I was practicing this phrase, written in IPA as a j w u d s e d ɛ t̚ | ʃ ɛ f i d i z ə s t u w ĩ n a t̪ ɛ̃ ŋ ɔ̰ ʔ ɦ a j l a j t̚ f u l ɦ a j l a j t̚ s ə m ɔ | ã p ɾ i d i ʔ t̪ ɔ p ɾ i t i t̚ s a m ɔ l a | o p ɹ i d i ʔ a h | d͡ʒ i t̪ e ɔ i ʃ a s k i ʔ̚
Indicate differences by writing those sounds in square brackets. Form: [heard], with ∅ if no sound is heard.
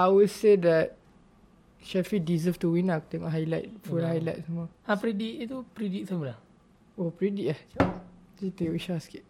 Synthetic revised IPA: a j w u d s e d ɛ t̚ | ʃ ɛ f i d i z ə [f] t u w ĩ n a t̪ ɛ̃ ŋ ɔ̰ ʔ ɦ a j l a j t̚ f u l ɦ a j l a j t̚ s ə m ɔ | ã p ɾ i d i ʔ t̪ [u] p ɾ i [d] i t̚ s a m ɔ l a | o p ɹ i d i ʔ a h | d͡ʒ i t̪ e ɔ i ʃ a s k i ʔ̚